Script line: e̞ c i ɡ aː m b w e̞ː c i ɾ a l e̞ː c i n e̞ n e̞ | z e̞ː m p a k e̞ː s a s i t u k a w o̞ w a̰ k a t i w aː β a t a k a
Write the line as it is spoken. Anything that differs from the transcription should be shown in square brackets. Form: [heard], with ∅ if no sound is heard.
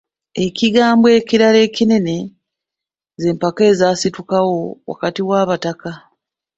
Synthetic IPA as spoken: e̞ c i ɡ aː m b w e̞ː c i ɾ a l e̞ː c i n e̞ n e̞ | z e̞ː m p a k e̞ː [z] a s i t u k a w o̞ w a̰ k a t i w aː β a t a k a